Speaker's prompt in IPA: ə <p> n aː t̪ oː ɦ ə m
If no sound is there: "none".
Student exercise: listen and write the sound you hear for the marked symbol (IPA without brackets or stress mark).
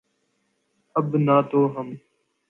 b